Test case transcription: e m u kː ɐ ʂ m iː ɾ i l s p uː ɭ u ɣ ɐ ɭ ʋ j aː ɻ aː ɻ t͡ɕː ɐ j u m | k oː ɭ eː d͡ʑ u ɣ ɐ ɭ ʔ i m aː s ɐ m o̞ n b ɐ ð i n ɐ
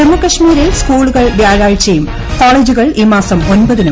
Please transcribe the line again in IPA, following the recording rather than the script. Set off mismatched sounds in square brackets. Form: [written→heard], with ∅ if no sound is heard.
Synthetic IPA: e m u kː ɐ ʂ m iː ɾ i l s [p→k] uː ɭ u ɣ ɐ ɭ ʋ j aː ɻ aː ɻ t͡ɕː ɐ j u m | k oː ɭ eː d͡ʑ u ɣ ɐ ɭ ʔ i m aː s ɐ m o̞ n b ɐ ð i n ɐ

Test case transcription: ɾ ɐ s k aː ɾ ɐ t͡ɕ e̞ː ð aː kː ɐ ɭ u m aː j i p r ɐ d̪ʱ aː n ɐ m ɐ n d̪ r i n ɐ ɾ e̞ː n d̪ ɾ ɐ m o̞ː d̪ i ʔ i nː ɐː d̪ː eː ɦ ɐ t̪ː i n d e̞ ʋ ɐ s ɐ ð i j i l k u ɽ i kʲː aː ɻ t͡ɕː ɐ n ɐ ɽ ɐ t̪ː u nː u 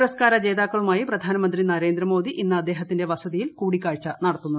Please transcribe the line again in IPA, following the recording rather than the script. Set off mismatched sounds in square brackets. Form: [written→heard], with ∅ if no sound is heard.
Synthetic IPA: ɾ ɐ s k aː ɾ ɐ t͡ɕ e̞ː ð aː kː ɐ ɭ u m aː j i p r ɐ d̪ʱ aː n ɐ m ɐ n d̪ r i n ɐ ɾ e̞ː n d̪ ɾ ɐ m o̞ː d̪ i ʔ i nː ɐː d̪ː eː ɦ ɐ t̪ː i n d e̞ ʋ ɐ s ɐ ð i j i l k [u→uː] ɽ i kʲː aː ɻ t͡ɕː ɐ n ɐ ɽ ɐ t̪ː u nː u

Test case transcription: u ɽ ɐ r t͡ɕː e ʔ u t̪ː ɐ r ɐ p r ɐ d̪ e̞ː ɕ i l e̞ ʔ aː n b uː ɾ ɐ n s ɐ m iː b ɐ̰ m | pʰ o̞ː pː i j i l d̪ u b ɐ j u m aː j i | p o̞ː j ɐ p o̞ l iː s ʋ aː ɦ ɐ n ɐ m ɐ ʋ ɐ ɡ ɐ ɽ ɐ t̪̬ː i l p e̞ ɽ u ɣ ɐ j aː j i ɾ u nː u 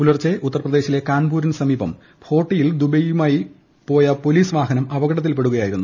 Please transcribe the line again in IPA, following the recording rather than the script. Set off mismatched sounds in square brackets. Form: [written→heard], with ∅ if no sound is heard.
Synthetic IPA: u [ɽ→l] ɐ r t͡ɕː e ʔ u t̪ː ɐ r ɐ p r ɐ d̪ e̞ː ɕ i l e̞ [ʔ→k] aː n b uː ɾ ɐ n s ɐ m iː b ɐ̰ m | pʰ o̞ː [pː→ʈː] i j i l d̪ u b ɐ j u m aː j i | p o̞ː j ɐ p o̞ l iː s ʋ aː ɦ ɐ n ɐ m ɐ ʋ ɐ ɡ ɐ ɽ ɐ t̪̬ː i l p e̞ ɽ u ɣ ɐ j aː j i ɾ u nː u

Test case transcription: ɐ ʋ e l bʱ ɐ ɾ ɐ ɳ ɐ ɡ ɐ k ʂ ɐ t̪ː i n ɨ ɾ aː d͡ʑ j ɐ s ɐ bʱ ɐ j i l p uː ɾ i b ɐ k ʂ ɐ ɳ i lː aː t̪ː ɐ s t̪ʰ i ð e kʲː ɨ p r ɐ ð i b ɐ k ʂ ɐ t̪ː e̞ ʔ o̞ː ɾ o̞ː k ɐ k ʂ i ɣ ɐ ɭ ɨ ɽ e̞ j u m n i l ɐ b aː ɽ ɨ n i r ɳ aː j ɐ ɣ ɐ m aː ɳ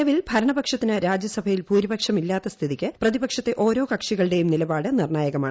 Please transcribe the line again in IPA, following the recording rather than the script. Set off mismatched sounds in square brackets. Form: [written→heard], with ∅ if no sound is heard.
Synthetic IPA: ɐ ʋ [e→i] l bʱ ɐ ɾ ɐ ɳ ɐ [ɡ→b] ɐ k ʂ ɐ t̪ː i n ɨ ɾ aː d͡ʑ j ɐ s ɐ bʱ ɐ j i l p uː ɾ i b ɐ k ʂ ɐ [ɳ→m] i lː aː t̪ː ɐ s t̪ʰ i ð [e→i] kʲː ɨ p r ɐ ð i b ɐ k ʂ ɐ t̪ː e̞ ʔ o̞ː ɾ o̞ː k ɐ k ʂ i ɣ ɐ ɭ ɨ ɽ e̞ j u m n i l ɐ b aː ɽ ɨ n i r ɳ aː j ɐ ɣ ɐ m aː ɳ

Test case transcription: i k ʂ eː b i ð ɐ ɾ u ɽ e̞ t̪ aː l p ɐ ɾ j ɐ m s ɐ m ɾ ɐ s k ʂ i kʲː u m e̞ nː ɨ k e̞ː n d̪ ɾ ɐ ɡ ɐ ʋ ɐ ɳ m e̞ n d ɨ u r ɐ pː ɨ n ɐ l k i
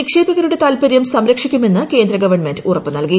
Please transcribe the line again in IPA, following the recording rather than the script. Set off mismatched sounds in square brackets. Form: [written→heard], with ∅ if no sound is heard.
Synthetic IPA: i k ʂ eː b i [ð→ɣ] ɐ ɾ u ɽ e̞ t̪ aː l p ɐ ɾ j ɐ m s ɐ m ɾ ɐ [s→∅] k ʂ i kʲː u m e̞ nː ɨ k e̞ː n d̪ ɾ ɐ ɡ ɐ ʋ ɐ ɳ m e̞ n d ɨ u r ɐ pː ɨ n ɐ l k i

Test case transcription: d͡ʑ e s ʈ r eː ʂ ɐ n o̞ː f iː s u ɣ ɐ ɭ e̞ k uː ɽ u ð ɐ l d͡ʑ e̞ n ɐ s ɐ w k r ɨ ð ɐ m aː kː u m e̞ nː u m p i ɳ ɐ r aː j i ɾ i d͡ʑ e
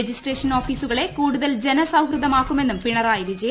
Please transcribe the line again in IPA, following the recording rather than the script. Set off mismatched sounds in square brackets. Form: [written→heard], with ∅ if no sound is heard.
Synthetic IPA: d͡ʑ [e→i] s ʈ r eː ʂ ɐ n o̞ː f iː s u ɣ ɐ ɭ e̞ k uː ɽ u ð ɐ l d͡ʑ e̞ n ɐ s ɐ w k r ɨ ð ɐ m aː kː u m e̞ nː u m p i ɳ ɐ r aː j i ɾ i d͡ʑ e

